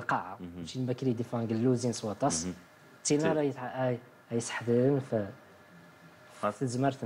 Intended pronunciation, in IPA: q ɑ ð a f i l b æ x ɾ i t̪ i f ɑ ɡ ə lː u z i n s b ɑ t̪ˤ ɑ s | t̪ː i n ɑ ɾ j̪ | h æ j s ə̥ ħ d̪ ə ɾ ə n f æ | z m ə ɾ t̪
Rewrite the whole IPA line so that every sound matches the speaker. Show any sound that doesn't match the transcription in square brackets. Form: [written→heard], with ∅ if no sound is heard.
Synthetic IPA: q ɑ [ð→ʕ] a [f→ʃ] i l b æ [x→k] ɾ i [t̪→d̪] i f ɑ ɡ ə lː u z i n s [b→w] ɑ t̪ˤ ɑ s | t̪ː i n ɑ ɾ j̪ | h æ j s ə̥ ħ d̪ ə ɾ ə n f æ | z m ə ɾ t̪